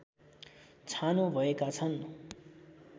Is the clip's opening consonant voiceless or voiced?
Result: voiceless